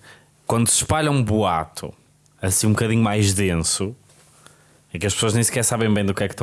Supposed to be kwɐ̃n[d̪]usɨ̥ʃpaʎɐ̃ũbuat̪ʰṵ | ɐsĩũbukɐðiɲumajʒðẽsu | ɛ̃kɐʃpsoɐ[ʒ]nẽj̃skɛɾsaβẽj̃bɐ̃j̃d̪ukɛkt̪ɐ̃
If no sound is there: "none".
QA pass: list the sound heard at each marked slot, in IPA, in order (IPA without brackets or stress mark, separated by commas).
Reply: d̪, ʒ